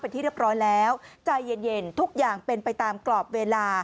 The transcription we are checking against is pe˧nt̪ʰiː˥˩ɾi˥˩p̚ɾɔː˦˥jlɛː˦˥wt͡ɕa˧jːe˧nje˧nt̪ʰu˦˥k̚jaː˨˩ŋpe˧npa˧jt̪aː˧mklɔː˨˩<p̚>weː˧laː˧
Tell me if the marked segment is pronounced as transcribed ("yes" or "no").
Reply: yes